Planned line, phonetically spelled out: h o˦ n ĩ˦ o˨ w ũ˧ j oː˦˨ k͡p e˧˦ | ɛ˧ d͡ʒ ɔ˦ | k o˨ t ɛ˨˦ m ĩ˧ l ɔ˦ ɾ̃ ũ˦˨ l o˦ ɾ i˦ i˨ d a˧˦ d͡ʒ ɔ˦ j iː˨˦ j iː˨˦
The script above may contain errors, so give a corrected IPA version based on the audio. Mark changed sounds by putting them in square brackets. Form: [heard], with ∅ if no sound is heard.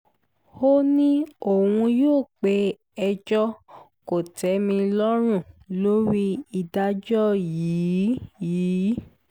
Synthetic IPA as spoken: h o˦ n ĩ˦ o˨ w ũ˧ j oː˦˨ k͡p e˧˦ | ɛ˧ d͡ʒ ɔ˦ | k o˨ t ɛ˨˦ m ĩ˧ l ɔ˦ ɾ̃ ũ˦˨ l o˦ ɾ i˦ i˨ d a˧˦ d͡ʒ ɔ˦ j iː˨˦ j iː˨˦